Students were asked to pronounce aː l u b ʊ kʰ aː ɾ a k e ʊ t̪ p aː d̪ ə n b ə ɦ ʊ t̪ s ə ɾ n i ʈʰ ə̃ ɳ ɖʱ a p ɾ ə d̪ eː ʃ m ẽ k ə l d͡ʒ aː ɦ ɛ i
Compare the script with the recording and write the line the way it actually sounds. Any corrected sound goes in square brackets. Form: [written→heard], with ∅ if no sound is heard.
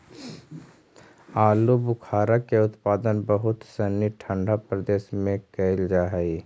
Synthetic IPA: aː l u b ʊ kʰ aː ɾ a k e ʊ t̪ p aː d̪ ə n b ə ɦ ʊ t̪ s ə [ɾ→∅] n i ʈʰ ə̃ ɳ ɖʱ a p ɾ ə d̪ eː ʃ m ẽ k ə l d͡ʒ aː ɦ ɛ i